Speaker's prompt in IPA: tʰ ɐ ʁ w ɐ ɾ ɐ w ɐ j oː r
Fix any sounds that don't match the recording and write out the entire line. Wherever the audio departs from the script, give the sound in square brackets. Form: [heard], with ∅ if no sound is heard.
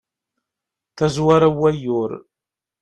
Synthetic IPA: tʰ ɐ [z] w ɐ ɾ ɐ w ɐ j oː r